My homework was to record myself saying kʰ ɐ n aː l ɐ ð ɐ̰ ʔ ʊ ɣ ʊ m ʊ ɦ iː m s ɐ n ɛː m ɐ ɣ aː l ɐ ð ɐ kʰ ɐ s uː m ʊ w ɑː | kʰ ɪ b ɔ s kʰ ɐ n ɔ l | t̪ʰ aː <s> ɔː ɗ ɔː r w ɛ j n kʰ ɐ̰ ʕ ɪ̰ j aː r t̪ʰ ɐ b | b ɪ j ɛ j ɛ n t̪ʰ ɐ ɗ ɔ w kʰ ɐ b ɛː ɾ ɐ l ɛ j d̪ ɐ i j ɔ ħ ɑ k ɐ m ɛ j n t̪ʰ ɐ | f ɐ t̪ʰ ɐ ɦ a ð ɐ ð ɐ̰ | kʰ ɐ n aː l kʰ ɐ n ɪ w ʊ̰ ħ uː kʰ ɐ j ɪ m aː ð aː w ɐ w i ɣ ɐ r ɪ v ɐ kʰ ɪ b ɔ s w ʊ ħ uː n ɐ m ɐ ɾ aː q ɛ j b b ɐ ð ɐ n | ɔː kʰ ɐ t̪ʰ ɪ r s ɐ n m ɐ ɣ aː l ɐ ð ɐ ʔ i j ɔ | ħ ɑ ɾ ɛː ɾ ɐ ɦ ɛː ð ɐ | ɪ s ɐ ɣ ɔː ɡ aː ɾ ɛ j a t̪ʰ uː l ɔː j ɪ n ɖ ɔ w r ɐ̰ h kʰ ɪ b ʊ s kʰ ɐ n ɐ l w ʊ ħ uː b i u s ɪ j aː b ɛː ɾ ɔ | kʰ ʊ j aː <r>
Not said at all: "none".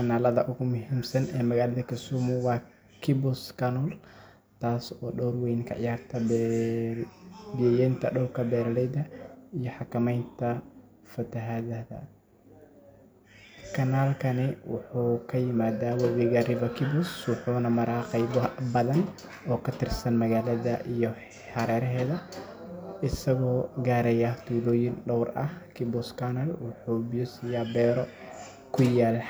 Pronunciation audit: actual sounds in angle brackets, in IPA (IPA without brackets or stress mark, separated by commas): s, l